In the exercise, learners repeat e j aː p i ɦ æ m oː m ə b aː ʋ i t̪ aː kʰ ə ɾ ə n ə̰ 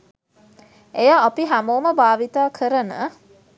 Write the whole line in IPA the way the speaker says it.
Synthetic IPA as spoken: e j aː p i ɦ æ m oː m ə b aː ʋ i t̪ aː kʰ ə ɾ ə n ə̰